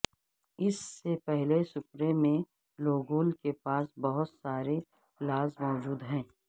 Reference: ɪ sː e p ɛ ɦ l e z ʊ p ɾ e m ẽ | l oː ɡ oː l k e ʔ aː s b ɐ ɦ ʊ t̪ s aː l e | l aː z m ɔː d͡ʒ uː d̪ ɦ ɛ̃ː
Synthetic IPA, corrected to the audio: ɪ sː e p ɛ ɦ l e s ʊ p ɾ e m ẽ | l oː ɡ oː l k e p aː s b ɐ ɦ ʊ t̪ s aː ɾ e | l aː z m ɔː d͡ʒ uː d̪ ɦ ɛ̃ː